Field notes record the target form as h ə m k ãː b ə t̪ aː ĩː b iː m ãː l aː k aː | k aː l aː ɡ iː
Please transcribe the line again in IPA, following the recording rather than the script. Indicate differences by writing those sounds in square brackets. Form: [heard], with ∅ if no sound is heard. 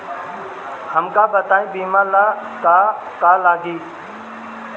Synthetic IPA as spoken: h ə m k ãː b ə t̪ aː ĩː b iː m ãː l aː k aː | k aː l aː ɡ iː